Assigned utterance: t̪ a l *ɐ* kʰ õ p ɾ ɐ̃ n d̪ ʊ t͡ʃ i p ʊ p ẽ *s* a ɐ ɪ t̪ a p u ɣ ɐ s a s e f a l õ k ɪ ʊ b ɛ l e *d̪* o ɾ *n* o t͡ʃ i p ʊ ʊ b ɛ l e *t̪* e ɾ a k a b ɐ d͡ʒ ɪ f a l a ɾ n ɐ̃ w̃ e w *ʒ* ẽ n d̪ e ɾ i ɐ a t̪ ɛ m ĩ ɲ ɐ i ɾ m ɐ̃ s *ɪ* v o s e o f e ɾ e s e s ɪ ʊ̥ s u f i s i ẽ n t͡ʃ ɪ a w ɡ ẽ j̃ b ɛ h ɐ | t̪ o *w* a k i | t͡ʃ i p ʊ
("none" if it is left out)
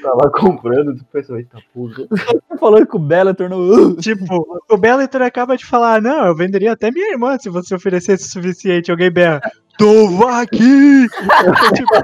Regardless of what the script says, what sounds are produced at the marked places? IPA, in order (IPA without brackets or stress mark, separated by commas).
a, s, t̪, n, t̪, v, ɪ, v